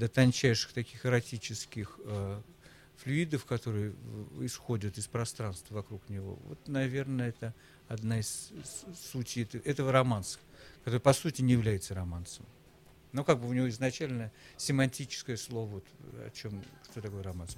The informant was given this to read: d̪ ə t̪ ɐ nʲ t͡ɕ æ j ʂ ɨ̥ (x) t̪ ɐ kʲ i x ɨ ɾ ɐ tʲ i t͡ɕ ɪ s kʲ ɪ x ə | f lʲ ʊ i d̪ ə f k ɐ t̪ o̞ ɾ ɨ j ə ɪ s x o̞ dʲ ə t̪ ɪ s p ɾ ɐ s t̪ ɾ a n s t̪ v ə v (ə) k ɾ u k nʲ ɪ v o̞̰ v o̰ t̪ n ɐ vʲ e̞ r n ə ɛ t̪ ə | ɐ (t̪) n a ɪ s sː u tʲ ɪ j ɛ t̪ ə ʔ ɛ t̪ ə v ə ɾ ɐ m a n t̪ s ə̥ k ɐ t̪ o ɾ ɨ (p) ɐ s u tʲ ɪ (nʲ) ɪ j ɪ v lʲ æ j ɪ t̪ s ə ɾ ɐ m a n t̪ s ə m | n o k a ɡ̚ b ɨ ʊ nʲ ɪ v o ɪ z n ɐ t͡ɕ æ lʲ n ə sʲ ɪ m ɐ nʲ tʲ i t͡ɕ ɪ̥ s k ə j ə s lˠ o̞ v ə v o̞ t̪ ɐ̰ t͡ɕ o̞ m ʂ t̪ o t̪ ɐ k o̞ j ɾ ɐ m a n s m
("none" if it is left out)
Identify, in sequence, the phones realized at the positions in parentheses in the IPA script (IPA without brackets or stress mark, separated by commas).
x, ɐ, d̪, p, nʲ